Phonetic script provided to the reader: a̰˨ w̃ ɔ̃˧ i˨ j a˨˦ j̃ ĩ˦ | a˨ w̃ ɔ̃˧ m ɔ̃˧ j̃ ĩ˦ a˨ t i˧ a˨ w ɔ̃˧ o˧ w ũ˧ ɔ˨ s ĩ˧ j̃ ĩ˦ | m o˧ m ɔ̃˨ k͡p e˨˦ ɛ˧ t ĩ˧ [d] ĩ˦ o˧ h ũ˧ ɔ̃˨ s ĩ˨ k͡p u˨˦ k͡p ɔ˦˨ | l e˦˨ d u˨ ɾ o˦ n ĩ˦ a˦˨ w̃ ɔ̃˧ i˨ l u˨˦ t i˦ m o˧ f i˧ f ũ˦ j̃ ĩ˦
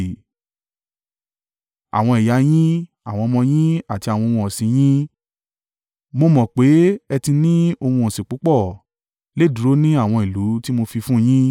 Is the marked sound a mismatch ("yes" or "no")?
yes